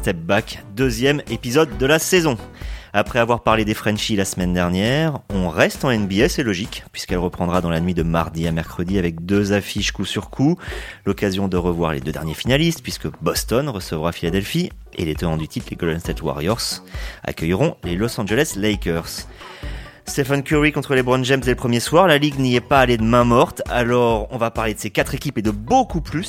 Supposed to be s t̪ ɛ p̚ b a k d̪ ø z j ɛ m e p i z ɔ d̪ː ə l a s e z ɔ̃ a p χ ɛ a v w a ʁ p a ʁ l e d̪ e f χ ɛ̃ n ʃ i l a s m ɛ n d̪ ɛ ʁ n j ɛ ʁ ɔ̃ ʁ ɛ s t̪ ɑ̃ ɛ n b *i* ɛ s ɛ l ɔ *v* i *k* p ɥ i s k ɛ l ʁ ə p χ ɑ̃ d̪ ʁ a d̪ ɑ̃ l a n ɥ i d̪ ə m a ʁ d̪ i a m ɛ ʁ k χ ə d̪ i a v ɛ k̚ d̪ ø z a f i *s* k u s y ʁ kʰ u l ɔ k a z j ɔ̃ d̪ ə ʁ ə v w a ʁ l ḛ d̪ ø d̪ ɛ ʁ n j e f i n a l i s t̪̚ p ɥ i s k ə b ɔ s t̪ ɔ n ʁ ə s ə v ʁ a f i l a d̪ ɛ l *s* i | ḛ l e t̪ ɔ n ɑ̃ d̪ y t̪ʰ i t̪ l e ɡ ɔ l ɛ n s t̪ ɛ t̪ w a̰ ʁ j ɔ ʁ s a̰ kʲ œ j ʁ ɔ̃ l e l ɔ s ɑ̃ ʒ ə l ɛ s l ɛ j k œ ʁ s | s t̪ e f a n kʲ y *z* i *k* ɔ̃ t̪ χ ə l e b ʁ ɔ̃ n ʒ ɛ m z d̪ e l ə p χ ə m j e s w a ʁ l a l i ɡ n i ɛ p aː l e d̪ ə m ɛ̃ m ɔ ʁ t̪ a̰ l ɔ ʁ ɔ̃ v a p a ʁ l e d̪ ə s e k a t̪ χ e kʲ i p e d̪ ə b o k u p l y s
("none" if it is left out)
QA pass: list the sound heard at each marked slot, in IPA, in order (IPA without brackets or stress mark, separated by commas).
i, ʒ, k, ʃ, f, ʁ, k